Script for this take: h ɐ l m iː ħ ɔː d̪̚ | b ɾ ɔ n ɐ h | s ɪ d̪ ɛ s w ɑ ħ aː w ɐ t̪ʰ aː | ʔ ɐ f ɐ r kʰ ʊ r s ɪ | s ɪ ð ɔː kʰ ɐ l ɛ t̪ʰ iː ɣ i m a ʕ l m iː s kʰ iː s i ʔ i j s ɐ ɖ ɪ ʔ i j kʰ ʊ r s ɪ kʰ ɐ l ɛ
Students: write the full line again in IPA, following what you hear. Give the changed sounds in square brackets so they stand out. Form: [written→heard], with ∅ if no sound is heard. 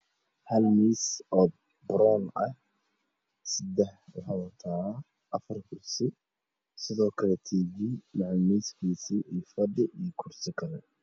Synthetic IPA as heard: h ɐ l m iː [ħ→s] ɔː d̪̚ | b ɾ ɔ n ɐ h | s ɪ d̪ ɛ [s→ħ] w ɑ ħ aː w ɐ t̪ʰ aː | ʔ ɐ f ɐ r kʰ ʊ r s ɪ | s ɪ ð ɔː kʰ ɐ l ɛ t̪ʰ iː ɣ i m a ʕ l m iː s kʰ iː s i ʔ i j [s→f] ɐ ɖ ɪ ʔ i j kʰ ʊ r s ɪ kʰ ɐ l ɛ